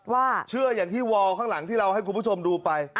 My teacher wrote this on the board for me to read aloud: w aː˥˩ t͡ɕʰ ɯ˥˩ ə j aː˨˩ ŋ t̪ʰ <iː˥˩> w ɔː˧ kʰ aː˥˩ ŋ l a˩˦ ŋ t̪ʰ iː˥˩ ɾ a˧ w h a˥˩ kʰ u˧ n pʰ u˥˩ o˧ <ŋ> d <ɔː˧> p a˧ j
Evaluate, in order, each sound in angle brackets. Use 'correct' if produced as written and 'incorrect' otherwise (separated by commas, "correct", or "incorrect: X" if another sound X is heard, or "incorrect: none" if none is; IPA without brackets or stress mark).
correct, incorrect: m, incorrect: uː˧